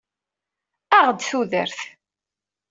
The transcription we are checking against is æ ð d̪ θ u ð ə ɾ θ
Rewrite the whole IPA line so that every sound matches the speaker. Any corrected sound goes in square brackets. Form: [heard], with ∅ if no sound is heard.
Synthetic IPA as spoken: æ [ʁ] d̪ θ u ð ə ɾ θ